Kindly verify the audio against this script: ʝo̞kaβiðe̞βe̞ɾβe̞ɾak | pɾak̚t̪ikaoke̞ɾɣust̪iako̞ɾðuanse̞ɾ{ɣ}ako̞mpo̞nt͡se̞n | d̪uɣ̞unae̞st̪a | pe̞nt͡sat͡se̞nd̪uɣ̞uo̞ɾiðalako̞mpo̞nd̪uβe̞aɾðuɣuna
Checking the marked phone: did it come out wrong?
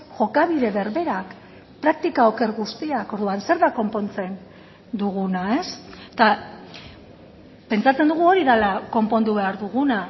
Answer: yes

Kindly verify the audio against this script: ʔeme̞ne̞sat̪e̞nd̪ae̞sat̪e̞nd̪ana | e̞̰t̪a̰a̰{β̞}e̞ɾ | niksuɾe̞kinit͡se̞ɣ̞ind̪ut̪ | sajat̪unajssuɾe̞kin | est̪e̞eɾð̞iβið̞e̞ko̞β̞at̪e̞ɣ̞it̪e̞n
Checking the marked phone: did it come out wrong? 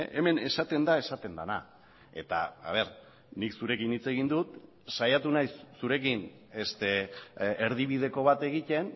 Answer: no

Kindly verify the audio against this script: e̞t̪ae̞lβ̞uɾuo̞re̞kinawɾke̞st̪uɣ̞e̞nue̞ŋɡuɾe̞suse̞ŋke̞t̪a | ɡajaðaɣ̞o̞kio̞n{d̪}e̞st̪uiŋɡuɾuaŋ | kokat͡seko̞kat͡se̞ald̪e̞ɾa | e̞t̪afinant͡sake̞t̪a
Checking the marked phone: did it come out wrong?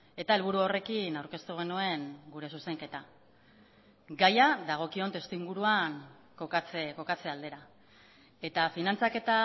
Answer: yes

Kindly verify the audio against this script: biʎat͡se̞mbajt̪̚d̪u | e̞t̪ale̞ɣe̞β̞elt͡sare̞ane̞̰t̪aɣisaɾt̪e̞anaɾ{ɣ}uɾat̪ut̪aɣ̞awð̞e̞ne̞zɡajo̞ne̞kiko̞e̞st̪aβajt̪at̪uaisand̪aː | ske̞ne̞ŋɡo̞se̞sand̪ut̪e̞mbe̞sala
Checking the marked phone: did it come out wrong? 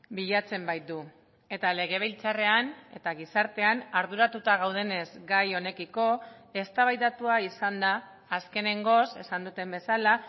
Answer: yes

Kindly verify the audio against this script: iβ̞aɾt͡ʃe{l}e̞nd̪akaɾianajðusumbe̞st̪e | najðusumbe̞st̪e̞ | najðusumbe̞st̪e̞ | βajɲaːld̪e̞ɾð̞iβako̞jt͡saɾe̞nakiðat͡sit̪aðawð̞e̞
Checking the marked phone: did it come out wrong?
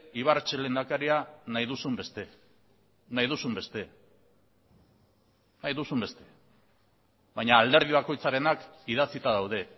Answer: no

